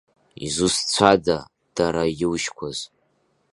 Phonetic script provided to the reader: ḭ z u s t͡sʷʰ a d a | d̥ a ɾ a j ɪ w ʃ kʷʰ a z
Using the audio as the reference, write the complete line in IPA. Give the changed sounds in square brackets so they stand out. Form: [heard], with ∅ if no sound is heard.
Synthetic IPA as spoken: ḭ z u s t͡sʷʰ a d a | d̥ a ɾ a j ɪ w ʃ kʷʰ a z